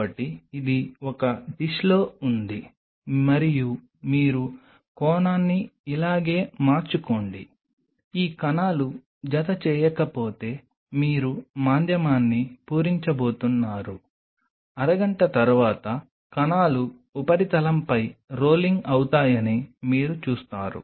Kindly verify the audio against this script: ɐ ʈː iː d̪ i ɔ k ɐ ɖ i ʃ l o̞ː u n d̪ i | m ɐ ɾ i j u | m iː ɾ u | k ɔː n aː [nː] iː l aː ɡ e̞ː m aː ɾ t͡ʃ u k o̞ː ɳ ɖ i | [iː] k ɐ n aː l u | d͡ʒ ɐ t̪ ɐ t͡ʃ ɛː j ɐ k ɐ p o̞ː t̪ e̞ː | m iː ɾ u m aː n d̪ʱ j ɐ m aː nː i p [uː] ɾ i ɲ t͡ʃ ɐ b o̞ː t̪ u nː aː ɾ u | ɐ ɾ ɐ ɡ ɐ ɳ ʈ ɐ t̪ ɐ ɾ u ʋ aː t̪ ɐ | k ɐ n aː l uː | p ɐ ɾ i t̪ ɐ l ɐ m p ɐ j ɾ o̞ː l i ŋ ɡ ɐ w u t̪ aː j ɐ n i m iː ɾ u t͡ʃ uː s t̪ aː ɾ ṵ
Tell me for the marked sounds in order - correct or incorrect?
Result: correct, correct, correct

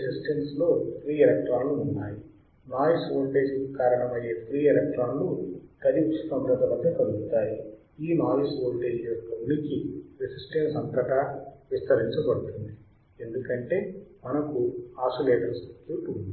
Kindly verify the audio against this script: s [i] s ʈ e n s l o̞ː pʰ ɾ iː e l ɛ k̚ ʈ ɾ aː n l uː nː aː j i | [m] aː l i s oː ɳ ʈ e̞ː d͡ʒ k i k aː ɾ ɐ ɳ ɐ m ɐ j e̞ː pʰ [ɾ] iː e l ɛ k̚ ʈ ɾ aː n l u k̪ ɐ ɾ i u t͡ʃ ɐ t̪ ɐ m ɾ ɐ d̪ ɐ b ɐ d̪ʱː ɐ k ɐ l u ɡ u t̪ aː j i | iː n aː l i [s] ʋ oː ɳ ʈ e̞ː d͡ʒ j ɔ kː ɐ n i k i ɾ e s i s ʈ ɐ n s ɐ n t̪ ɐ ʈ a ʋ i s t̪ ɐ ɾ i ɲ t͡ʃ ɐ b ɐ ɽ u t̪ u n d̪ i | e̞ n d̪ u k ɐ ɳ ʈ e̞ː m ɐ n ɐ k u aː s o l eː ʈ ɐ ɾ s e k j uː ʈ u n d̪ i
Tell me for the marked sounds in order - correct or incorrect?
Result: correct, incorrect: n, correct, correct

